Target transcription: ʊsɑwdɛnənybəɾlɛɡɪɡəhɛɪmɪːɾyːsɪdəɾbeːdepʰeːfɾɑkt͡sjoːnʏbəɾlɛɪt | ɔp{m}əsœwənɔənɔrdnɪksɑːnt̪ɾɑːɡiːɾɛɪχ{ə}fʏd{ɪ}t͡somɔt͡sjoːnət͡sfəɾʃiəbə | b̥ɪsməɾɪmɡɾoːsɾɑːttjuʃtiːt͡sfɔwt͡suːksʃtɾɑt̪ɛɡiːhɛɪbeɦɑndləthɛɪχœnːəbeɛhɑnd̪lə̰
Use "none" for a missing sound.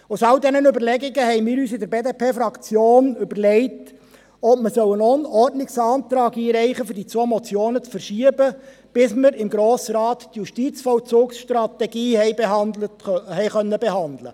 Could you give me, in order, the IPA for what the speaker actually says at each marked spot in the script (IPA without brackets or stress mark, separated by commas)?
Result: m, ə, i